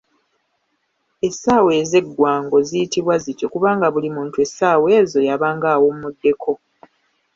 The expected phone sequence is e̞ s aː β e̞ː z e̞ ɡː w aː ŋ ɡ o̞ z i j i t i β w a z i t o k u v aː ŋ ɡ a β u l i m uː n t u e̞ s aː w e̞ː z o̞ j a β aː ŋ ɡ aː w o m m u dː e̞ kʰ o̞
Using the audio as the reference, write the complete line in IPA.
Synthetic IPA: e̞ s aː w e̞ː z e̞ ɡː w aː ŋ ɡ o̞ z i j i t i β w a z i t o k u β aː ŋ ɡ a β u l i m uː n t u e̞ s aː w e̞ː z o̞ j a β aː ŋ ɡ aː w o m m u dː e̞ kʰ o̞